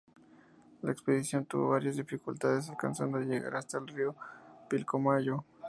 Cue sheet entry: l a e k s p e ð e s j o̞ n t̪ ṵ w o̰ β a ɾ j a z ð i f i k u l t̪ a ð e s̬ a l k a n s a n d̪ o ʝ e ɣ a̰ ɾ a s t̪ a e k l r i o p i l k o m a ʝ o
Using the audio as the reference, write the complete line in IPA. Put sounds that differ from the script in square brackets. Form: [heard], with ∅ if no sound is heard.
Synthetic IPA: l a e k s p e ð [i] s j o̞ n t̪ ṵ [β] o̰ β a ɾ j a z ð i f i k u l t̪ a ð e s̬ a l k a n s a n d̪ o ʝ e ɣ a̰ ɾ a s t̪ a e [∅] l r i o p i l k o m a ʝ o